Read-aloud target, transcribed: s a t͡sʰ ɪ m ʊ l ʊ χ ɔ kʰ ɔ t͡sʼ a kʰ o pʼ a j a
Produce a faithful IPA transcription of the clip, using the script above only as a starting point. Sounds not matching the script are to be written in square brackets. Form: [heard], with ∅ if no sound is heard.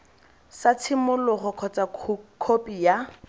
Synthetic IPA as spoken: s a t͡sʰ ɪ m ʊ l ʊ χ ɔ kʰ ɔ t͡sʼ a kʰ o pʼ [i] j a